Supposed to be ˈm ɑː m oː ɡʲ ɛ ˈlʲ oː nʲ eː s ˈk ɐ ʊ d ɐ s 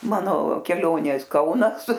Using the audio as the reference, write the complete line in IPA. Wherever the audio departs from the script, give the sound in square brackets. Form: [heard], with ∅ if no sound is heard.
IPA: ˈm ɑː [n] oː [kʲ] ɛ ˈlʲ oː nʲ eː s ˈk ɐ ʊ [n] ɐ s